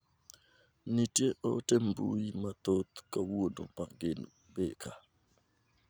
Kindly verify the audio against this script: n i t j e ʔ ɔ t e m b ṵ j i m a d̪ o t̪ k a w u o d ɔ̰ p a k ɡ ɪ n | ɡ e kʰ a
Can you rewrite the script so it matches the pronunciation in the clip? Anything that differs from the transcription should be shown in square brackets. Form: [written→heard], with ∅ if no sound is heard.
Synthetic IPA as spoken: n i t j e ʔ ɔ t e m b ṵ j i m a [d̪→t̪] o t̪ k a w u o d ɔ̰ p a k ɡ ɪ n | [ɡ→b] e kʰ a

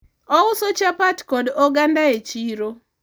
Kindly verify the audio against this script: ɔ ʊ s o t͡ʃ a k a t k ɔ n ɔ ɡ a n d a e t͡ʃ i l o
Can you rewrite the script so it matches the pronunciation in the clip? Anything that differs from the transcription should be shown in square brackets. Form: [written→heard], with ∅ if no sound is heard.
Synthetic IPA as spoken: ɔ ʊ s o t͡ʃ a [k→p] a t k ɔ [n→d] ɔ ɡ a n d a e t͡ʃ i [l→ɾ] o

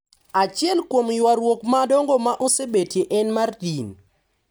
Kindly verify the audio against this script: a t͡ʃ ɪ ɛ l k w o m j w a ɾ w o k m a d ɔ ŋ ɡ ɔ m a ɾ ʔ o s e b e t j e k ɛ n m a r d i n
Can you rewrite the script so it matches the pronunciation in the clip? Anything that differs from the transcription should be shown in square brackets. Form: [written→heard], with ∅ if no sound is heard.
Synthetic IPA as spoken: a t͡ʃ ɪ ɛ l k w o m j w a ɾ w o k m a d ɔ ŋ ɡ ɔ m a [ɾ→∅] ʔ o s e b e t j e [k→ʔ] ɛ n m a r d i n

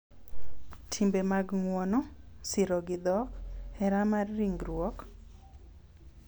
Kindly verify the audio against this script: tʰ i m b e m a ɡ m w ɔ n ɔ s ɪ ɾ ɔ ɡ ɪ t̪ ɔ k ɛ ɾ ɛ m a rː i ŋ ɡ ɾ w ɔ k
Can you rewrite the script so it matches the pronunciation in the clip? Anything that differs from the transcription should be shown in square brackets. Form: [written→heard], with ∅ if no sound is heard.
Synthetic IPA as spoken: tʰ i m b e m a ɡ [m→ŋ] w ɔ n ɔ s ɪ ɾ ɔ ɡ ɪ [t̪→d̪] ɔ k ɛ ɾ [ɛ→a] m a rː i ŋ ɡ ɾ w ɔ k

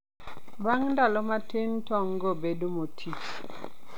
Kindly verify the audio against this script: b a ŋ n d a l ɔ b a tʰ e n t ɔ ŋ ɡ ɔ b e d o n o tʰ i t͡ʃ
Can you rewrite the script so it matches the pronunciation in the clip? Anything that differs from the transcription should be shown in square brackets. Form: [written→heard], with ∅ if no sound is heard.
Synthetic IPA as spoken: b a ŋ n d a l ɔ [b→m] a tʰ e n t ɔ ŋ ɡ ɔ b e d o [n→m] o tʰ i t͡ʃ

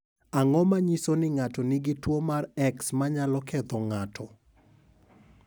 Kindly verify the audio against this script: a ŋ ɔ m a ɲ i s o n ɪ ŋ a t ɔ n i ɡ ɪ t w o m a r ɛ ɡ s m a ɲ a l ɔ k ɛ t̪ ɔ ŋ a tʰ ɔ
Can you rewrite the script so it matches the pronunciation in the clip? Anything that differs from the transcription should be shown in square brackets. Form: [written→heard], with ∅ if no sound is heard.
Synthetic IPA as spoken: a ŋ ɔ m a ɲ i s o n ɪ ŋ a t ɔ n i ɡ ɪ t w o m a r ɛ [ɡ→k] s m a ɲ a l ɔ k ɛ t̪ ɔ ŋ a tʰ ɔ

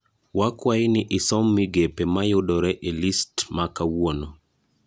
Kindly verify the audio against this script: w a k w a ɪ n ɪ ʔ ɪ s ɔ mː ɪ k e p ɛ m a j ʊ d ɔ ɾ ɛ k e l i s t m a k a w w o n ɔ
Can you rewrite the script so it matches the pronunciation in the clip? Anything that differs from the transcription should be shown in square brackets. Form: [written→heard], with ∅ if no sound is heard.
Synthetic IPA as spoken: w a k w a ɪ n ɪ ʔ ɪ s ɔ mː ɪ [k→ɡ] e p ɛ m a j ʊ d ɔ ɾ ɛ [k→ʔ] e l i s t m a k a w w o n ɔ

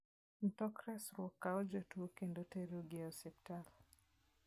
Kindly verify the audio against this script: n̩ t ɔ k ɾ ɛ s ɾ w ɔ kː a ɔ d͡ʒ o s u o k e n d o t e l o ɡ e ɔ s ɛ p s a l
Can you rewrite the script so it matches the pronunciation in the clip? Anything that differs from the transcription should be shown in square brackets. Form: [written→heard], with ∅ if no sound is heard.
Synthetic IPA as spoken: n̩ t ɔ k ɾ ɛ s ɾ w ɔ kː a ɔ d͡ʒ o [s→t] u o k e n d o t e [l→ɾ] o ɡ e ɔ s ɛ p [s→t] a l

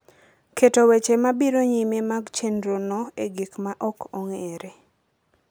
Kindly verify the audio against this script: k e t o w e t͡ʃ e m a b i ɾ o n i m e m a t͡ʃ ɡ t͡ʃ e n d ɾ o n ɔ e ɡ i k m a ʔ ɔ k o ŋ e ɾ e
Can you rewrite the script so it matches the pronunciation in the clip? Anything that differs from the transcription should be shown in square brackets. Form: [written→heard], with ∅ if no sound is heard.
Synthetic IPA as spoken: k e t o w e t͡ʃ e m a b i ɾ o [n→ɲ] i m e m a [t͡ʃ→∅] ɡ t͡ʃ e n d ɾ o n ɔ e ɡ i k m a ʔ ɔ k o ŋ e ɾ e

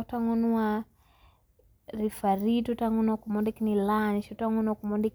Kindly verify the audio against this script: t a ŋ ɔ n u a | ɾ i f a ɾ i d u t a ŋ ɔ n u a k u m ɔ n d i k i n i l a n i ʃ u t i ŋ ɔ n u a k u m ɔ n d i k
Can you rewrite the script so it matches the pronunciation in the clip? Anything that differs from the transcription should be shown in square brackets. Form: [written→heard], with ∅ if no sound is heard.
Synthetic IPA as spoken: t a ŋ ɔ n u a | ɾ i f a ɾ i [d→t] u t a ŋ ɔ n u a k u m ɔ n d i k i n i l a n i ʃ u t [i→a] ŋ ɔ n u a k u m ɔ n d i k

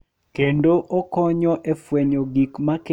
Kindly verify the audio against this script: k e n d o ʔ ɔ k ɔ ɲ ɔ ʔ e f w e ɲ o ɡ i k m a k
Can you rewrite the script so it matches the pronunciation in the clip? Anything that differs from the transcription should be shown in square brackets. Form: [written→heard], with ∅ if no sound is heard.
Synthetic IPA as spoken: k e n d o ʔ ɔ k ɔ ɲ ɔ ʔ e f w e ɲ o ɡ i k m a k

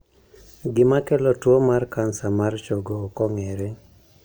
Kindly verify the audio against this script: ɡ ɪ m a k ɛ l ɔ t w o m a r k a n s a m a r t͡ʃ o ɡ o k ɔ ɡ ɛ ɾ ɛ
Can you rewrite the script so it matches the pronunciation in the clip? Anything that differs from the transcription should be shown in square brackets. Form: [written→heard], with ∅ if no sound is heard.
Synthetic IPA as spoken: ɡ ɪ m a k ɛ l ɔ t w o m a r k a n s a m a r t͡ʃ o ɡ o k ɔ [ɡ→ŋ] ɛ ɾ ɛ

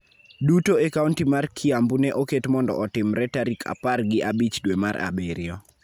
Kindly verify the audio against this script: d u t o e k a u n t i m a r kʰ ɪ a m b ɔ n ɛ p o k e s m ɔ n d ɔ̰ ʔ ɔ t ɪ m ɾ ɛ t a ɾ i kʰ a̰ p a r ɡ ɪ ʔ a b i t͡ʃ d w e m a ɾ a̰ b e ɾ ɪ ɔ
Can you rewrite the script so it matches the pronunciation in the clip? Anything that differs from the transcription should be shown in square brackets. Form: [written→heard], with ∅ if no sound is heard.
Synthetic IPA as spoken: d u t o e k a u n t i m a r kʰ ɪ a m b [ɔ→u] n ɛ [p→ʔ] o k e [s→t] m ɔ n d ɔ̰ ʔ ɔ t ɪ m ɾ ɛ t a ɾ i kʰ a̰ p a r ɡ ɪ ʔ a b i t͡ʃ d w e m a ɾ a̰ b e ɾ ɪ ɔ

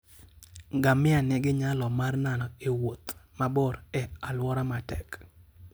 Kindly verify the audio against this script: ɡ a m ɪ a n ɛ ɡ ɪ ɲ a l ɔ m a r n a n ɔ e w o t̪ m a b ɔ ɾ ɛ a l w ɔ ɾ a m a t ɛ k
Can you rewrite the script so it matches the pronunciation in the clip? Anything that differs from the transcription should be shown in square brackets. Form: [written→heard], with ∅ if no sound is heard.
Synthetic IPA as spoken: ɡ a m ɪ a n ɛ ɡ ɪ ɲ a l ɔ m a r n a n ɔ e w o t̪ m a b ɔ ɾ ɛ a l w ɔ ɾ a m a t ɛ k

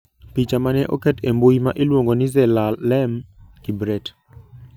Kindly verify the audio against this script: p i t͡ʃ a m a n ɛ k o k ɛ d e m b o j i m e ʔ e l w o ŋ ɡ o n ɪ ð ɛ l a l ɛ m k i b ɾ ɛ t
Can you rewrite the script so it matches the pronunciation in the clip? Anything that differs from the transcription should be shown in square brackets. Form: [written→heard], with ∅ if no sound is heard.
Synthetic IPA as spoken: p i t͡ʃ a m a n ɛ [k→ʔ] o k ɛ [d→t] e m b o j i m [e→a] ʔ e l w o ŋ ɡ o n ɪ [ð→z] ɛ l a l ɛ m k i b ɾ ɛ t

